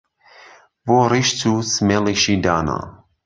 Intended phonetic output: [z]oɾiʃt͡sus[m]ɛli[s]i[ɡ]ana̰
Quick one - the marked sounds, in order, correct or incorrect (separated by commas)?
incorrect, correct, incorrect, incorrect